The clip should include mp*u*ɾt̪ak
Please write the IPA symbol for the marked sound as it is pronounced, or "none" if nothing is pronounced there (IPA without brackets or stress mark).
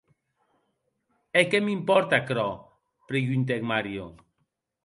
ɔ